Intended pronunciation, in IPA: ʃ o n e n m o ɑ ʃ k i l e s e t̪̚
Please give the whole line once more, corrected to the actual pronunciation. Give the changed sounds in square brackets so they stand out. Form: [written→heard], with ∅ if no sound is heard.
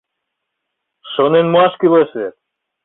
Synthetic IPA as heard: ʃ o n e n m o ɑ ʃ k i l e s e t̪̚